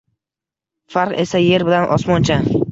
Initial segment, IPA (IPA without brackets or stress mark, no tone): f